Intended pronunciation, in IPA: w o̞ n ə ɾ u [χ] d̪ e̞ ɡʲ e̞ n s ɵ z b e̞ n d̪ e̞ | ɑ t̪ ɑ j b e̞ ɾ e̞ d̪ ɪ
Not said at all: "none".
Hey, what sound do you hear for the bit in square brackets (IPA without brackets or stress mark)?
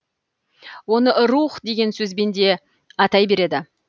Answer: χ